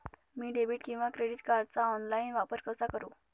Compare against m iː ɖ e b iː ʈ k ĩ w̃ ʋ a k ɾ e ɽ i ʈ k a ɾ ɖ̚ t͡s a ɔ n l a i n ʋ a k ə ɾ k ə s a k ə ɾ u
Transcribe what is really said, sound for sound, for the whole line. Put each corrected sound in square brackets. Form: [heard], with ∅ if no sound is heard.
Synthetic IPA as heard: m iː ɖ e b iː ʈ k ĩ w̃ ʋ a k ɾ e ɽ i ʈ k a ɾ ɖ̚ t͡s a ɔ n l a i n ʋ a [p] ə ɾ k ə s a k ə ɾ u